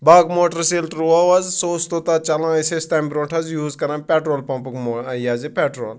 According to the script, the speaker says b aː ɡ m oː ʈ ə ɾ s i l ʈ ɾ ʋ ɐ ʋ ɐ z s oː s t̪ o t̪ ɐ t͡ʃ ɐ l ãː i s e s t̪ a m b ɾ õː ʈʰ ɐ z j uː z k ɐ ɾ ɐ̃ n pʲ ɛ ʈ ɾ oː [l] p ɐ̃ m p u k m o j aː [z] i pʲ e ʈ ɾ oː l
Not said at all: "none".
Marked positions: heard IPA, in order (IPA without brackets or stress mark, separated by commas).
l, z